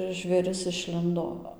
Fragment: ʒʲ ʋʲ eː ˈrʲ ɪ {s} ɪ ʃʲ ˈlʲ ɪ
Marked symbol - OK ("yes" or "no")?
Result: yes